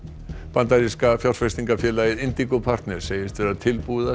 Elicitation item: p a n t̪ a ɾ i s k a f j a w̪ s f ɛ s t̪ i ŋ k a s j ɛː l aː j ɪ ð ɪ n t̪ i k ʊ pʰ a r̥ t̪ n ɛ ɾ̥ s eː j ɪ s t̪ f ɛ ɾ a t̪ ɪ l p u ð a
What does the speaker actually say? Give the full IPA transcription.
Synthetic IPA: p a n t̪ a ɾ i s k a f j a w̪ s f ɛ s t̪ i ŋ k a f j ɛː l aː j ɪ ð ɪ n t̪ i k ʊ pʰ a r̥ t̪ n ɛ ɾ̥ s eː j ɪ s t̪ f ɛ ɾ a t̪ʰ ɪ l p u ð a

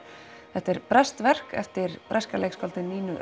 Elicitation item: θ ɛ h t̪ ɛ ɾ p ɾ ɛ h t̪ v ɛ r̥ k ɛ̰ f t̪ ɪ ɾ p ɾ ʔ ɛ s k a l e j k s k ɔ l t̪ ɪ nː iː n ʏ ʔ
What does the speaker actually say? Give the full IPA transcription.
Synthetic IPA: θ ɛ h t̪ ɛ ɾ p ɾ ɛ s t̪ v ɛ r̥ k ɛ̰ f t̪ ɪ ɾ p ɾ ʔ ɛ s k a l e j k s k ɔ l t̪ ɪ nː iː n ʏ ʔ

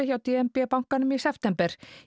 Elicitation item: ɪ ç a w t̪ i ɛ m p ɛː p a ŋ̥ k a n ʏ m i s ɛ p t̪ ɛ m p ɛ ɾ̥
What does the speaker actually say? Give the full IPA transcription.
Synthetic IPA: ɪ ç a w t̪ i ɛ m p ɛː p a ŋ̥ k a n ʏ m i s ɛ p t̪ ɛ m p ɛ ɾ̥

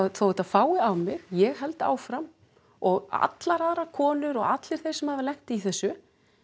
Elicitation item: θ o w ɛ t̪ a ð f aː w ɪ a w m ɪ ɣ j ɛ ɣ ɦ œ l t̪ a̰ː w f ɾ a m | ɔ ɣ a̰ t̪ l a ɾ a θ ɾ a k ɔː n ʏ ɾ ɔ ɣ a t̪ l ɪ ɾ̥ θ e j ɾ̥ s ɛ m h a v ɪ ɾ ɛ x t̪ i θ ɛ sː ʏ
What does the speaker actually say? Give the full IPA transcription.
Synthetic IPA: θ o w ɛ t̪ a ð f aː w ɪ a w m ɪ ɣ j ɛ ɣ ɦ ɛ l t̪ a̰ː w f ɾ a m | ɔ ɣ a̰ t̪ l a ɾ a ð ɾ a kʰ ɔː n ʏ ɾ ɔ ɣ a t̪ l ɪ ɾ̥ θ e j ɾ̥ s ɛ m h a v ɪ l ɛ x t̪ i θ ɛ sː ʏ

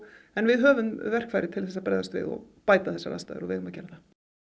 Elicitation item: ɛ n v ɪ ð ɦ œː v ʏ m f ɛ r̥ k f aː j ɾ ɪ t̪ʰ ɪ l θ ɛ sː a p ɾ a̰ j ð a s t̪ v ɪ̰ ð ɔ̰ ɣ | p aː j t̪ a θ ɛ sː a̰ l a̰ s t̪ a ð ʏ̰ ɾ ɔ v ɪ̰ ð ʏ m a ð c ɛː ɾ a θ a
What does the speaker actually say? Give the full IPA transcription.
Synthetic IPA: ɛ n v ɪ ð ɦ œː v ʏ m v ɛ r̥ k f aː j ɾ ɪ t̪ʰ ɪ l θ ɛ sː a p ɾ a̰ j ð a s t̪ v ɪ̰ ð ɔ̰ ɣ | p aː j t̪ a θ ɛ sː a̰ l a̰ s t̪ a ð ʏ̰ ɾ ɔ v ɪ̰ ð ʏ m a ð c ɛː ɾ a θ a

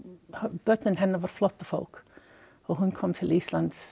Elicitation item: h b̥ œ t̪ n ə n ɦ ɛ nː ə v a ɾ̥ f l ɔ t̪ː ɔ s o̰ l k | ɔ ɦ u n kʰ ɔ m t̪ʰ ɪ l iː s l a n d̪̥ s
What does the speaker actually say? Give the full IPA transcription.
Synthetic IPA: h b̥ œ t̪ n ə n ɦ ɛ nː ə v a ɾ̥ f l ɔ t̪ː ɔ f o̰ l k | ɔ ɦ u n kʰ ɔ m t̪ʰ ɪ l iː s l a n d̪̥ s

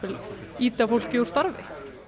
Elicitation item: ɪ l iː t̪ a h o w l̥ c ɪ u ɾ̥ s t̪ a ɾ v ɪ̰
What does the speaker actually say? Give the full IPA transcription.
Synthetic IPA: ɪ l iː t̪ a f o w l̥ c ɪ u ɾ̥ s t̪ a ɾ v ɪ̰

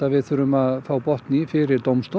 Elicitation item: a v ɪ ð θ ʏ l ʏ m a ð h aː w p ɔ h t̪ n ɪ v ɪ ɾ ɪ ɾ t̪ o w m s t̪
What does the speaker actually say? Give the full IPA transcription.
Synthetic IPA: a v ɪ ð θ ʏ ɾ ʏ m a ð θ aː w p ɔ h t̪ n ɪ f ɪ ɾ ɪ ɾ t̪ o w m s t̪

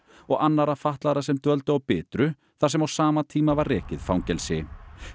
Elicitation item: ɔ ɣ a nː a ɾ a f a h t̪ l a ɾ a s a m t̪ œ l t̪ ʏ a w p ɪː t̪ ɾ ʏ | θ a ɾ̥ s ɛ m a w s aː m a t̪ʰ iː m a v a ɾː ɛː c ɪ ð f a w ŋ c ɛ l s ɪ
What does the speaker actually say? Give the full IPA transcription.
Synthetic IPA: ɔ ɣ a nː a ɾ a f a h t̪ l a ɾ a s ɛ m t̪ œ l t̪ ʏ a w p ɪː t̪ ɾ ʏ | θ a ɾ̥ s ɛ m a w s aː m a t̪ʰ iː m a v a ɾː ɛː c ɪ ð f a w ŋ c ɛ l s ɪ

